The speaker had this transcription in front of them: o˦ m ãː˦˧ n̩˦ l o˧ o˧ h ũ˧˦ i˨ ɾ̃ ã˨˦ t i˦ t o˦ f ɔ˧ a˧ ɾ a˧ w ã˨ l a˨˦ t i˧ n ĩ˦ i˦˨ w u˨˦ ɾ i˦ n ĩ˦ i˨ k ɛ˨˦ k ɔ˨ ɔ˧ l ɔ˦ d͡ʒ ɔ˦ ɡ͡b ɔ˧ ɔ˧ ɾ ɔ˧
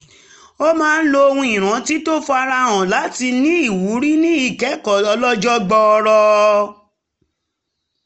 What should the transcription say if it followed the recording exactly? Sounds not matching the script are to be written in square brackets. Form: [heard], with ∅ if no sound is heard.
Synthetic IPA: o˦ m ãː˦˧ n̩˦ l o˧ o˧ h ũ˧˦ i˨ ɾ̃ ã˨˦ t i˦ t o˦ f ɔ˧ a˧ ɾ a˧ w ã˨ l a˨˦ t i˧ n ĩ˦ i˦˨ w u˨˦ ɾ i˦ n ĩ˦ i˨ k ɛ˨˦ k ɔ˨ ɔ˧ l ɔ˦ d͡ʒ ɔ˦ ɡ͡b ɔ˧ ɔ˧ ɾ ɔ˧

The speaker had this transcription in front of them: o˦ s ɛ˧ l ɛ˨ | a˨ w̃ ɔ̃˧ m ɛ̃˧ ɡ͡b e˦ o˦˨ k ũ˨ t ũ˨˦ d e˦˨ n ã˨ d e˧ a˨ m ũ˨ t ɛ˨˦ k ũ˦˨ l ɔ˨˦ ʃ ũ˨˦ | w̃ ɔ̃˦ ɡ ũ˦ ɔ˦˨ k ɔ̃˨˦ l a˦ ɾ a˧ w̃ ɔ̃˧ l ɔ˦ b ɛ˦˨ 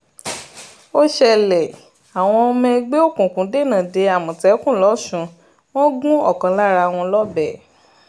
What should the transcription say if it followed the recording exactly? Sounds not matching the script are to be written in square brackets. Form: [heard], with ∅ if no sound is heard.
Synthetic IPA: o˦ [ʃ] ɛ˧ l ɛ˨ | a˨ w̃ ɔ̃˧ m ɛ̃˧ ɡ͡b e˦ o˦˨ k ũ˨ [k] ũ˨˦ d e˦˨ n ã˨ d e˧ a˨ m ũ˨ t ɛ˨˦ k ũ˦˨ l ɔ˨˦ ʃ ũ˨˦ | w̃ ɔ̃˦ ɡ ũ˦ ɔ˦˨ k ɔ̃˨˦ l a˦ ɾ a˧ w̃ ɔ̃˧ l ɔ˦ b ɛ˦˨

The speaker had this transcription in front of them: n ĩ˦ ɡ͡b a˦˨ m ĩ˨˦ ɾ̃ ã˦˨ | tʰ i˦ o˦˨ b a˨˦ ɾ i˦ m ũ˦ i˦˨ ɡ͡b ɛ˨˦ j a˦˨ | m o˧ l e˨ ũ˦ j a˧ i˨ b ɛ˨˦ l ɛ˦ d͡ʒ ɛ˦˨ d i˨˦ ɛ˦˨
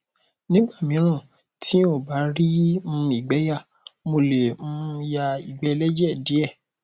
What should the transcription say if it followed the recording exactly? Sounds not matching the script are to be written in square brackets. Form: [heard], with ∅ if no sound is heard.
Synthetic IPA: n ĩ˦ ɡ͡b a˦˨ m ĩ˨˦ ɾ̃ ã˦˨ | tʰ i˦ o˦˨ b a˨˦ ɾ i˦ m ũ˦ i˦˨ ɡ͡b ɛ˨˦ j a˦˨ | m o˧ l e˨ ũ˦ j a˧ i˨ [ɡ͡b] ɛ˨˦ l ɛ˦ d͡ʒ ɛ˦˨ d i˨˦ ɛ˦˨

